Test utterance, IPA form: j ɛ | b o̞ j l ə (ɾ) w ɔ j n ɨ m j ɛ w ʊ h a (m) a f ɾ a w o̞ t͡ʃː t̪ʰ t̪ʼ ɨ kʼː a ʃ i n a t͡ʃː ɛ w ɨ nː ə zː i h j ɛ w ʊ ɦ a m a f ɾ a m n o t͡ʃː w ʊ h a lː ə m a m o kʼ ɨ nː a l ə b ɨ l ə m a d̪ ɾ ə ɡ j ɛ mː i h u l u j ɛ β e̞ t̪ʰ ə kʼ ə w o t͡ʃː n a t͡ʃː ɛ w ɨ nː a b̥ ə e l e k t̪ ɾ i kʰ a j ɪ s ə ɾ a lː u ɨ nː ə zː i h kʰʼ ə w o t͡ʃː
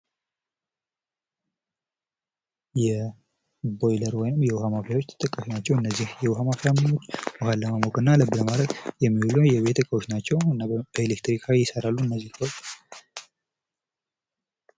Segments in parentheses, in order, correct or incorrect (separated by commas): correct, correct